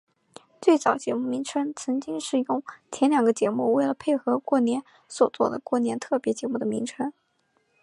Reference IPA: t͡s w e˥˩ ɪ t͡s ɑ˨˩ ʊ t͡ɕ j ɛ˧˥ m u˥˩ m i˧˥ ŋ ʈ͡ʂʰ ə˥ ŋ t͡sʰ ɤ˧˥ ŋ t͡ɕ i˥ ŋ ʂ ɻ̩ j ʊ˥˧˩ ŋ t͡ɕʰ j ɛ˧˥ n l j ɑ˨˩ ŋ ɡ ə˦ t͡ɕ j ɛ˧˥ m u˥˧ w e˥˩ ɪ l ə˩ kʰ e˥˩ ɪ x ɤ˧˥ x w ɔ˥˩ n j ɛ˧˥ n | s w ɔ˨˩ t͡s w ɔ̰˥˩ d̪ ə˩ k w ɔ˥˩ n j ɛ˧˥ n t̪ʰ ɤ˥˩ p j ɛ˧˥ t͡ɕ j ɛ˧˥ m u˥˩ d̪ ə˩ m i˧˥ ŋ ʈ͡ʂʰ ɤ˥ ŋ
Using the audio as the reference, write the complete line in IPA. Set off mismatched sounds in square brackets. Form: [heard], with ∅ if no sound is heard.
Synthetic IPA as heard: t͡s w e˥˩ ɪ t͡s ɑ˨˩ ʊ t͡ɕ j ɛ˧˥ m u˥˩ m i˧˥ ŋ ʈ͡ʂʰ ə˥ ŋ t͡sʰ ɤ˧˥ ŋ t͡ɕ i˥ ŋ ʂ ɻ̩ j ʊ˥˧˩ ŋ t͡ɕʰ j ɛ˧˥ n l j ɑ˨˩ ŋ ɡ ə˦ t͡ɕ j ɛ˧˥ m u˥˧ w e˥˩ ɪ l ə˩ [pʰ] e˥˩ ɪ x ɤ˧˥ [k] w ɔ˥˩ n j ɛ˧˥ n | s w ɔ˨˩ t͡s w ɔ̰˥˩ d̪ ə˩ k w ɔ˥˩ n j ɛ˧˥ n t̪ʰ ɤ˥˩ p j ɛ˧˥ t͡ɕ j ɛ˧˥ m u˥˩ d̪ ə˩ m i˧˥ ŋ ʈ͡ʂʰ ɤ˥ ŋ

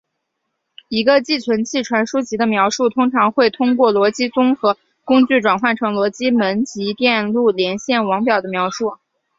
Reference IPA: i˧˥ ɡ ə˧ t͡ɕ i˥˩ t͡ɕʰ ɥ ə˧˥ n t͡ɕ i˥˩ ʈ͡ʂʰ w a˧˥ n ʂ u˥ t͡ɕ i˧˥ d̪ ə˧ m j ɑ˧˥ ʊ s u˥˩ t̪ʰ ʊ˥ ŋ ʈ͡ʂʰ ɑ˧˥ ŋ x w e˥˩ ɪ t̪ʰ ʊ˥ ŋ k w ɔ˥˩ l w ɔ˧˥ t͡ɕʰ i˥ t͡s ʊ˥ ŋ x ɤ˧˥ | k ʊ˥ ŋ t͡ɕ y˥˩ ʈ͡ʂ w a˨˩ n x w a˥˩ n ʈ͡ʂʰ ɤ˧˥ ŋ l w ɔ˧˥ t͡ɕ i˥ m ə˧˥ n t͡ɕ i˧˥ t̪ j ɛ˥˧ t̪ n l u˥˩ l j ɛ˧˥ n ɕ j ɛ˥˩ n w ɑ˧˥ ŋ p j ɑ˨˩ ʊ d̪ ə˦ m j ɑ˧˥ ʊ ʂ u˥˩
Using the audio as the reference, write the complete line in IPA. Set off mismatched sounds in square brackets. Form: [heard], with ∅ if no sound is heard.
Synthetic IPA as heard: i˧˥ ɡ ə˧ t͡ɕ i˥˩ t͡ɕʰ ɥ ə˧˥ n [t͡ɕʰ] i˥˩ ʈ͡ʂʰ w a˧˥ n ʂ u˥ t͡ɕ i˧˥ d̪ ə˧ m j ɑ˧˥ ʊ [ʂ] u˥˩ t̪ʰ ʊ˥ ŋ ʈ͡ʂʰ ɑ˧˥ ŋ x w e˥˩ ɪ t̪ʰ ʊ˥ ŋ k w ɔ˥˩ l w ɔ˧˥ [t͡ɕ] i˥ t͡s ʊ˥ ŋ x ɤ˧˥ | k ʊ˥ ŋ t͡ɕ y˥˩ ʈ͡ʂ w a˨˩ n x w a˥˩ n ʈ͡ʂʰ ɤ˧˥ ŋ l w ɔ˧˥ t͡ɕ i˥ m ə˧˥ n t͡ɕ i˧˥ t̪ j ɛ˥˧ [∅] n l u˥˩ l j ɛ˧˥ n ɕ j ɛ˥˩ n w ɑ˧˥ ŋ p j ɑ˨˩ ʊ d̪ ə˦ m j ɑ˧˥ ʊ ʂ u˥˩

